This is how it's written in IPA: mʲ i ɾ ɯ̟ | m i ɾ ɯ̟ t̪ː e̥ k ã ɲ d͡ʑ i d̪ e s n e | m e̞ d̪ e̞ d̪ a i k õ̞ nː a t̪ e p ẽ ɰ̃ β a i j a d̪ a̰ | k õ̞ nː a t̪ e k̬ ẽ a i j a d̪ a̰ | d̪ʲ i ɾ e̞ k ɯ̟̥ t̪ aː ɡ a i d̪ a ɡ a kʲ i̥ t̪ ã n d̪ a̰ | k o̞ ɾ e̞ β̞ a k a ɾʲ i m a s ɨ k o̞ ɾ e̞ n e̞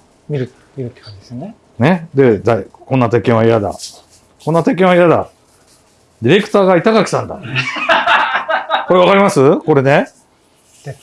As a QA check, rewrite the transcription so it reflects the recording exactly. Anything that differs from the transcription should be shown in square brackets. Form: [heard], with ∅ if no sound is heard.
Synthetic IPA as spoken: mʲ i ɾ ɯ̟ | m i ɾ ɯ̟ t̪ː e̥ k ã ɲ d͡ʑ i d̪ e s n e | [n] e̞ d̪ e̞ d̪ a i k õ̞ nː a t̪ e [k] ẽ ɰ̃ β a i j a d̪ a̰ | k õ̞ nː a t̪ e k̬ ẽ a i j a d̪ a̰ | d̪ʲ i ɾ e̞ k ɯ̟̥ t̪ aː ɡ a i [t̪] a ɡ a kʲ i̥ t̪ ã n d̪ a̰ | k o̞ ɾ e̞ β̞ a k a ɾʲ i m a s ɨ k o̞ ɾ e̞ n e̞